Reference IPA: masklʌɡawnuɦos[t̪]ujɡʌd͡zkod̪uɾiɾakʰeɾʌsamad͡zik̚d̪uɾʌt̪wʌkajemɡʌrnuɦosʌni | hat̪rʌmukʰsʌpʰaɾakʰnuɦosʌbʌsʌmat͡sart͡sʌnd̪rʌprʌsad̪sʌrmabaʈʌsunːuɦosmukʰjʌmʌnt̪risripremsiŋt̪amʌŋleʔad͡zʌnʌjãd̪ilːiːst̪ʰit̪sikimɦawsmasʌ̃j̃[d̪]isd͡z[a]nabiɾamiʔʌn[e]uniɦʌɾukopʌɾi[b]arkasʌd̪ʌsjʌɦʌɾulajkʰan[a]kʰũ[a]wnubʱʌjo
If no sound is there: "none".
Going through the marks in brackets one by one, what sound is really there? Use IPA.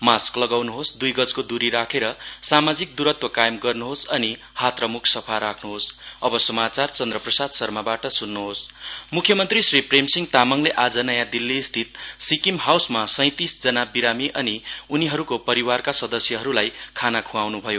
d̪, t̪, ʌ, i, w, a, a

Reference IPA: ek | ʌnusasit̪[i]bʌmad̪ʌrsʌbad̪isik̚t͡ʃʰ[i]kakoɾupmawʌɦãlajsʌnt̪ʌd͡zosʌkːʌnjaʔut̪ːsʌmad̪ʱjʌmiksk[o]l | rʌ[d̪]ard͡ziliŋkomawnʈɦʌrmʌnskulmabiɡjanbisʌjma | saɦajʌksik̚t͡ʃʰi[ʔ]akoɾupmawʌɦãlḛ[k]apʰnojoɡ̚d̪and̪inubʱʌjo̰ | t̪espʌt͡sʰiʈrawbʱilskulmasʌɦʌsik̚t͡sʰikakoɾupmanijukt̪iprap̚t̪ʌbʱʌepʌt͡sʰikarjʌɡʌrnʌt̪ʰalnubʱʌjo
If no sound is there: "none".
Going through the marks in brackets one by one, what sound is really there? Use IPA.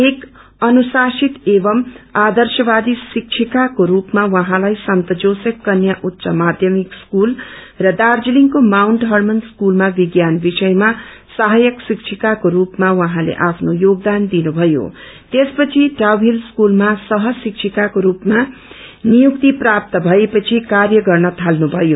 e, i, u, d̪, k, ʔ

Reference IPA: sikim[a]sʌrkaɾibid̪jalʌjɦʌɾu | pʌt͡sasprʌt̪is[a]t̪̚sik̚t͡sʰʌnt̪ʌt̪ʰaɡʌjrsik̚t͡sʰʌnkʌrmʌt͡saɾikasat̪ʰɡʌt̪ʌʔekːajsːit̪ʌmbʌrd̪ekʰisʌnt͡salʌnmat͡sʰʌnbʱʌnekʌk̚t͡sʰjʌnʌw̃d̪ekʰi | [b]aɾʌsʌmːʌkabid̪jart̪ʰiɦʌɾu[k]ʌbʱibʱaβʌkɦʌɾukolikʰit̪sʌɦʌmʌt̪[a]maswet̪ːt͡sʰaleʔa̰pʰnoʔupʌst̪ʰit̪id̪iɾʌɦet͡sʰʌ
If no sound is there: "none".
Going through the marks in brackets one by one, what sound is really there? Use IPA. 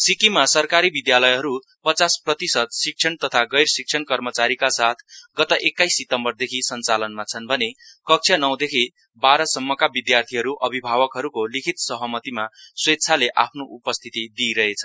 a, ʌ, b, ʔ, i

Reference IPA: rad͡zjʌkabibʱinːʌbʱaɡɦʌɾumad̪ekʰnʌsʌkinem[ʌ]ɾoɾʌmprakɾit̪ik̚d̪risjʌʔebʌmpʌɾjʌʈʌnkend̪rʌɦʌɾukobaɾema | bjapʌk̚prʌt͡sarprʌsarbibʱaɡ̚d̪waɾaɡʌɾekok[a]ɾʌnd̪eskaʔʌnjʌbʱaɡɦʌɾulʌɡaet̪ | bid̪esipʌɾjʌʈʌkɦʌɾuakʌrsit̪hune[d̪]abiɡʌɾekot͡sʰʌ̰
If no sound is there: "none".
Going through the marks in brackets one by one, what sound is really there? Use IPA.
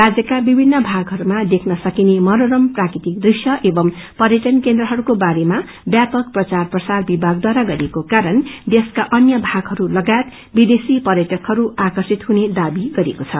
ʌ, a, d̪

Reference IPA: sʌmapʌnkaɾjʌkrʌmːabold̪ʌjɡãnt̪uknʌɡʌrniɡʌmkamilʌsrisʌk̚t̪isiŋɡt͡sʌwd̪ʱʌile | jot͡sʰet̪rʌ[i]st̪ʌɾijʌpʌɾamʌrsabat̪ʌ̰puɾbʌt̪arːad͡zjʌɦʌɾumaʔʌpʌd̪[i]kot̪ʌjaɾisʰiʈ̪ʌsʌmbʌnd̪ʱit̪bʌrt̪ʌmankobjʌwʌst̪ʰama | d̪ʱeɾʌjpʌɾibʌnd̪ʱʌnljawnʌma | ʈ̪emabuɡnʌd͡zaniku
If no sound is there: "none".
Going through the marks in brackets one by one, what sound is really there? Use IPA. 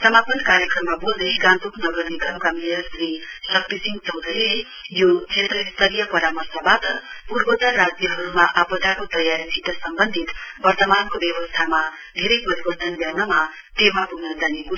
i, a

